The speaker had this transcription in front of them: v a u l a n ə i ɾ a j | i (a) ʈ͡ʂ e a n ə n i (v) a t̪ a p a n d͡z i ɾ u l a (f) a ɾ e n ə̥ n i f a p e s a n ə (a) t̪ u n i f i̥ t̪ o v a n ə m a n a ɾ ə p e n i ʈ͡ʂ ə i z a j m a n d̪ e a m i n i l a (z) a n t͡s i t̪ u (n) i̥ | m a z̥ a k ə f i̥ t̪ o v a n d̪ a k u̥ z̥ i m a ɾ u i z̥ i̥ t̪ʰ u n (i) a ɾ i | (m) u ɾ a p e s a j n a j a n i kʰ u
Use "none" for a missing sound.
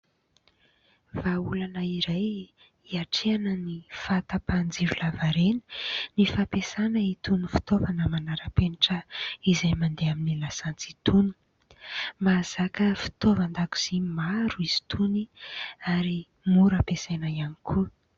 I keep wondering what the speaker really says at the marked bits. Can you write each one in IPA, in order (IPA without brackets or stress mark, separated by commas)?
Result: a, f, v, i, s, n, i, m